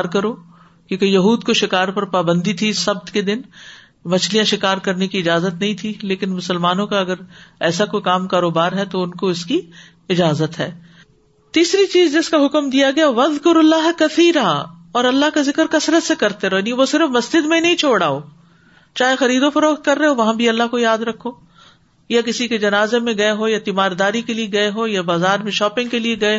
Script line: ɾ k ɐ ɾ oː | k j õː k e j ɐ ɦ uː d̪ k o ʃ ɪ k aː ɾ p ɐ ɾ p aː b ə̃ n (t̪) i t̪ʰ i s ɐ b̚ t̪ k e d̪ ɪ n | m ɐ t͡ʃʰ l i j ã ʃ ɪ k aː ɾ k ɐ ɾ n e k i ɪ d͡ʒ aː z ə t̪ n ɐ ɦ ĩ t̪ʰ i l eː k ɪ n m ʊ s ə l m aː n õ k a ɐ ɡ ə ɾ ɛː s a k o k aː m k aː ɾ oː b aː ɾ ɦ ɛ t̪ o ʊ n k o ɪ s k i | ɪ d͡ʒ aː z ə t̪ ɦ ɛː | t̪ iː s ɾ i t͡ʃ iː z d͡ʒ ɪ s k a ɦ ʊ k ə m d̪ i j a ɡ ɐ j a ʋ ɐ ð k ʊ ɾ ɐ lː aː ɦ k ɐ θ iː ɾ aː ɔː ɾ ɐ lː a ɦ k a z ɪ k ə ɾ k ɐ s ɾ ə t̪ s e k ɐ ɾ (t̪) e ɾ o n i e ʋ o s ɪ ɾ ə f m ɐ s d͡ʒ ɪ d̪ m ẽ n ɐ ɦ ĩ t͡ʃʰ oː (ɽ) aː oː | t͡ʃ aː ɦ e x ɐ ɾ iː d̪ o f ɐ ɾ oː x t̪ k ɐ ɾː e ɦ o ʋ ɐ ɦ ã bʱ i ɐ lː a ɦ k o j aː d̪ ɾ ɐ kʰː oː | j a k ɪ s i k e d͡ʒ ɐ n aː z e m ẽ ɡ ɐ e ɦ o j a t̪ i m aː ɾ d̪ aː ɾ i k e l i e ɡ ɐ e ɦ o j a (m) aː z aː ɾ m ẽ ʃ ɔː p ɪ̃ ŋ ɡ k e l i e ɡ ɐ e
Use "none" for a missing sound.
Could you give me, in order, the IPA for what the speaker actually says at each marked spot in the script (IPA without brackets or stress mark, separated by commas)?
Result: d̪, t̪, ɽ, b